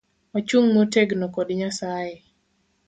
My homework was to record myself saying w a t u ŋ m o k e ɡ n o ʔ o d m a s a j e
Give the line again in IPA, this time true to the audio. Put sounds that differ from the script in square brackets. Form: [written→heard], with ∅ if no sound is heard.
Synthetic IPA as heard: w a [t→t͡ʃ] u ŋ m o [k→t] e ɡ n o [ʔ→k] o d [m→ɲ] a s a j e